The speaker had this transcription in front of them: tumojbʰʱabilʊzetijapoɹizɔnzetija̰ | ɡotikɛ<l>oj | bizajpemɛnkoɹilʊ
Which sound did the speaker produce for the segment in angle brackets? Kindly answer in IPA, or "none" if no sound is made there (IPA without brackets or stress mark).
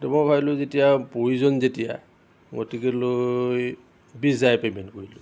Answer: l